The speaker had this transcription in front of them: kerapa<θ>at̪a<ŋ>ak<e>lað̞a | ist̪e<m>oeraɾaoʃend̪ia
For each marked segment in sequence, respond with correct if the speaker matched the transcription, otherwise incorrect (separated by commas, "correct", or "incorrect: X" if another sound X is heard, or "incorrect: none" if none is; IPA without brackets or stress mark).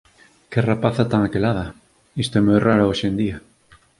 correct, correct, correct, correct